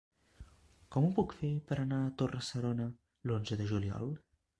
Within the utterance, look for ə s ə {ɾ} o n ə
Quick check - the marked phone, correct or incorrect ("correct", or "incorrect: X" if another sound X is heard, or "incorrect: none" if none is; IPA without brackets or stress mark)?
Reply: correct